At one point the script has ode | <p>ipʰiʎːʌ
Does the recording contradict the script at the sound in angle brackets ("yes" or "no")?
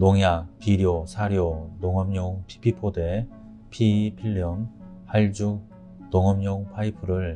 yes